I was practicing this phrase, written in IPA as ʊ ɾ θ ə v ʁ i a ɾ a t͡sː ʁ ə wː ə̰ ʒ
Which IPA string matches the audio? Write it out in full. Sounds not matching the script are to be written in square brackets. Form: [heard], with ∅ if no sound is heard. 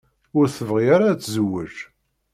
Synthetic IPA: ʊ ɾ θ ə v ʁ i a ɾ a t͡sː [z] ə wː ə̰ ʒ